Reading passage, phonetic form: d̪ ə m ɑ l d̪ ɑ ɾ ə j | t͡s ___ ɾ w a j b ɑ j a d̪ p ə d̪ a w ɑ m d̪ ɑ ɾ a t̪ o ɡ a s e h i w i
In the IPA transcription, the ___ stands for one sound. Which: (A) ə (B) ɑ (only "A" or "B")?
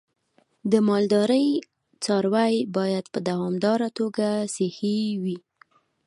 B